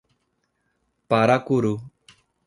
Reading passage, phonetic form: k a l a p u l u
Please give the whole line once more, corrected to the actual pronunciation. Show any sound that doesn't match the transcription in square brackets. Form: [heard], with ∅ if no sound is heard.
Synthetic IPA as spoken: [p] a [ɾ] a [k] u [ɾ] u